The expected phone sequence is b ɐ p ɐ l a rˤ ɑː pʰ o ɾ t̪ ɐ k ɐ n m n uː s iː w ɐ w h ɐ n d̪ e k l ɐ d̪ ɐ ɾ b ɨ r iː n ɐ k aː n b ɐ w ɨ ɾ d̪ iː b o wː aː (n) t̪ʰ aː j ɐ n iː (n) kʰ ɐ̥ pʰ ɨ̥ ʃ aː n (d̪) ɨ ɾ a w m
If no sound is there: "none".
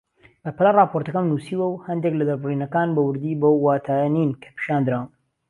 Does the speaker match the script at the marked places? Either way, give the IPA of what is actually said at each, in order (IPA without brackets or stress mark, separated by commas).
none, n, d̪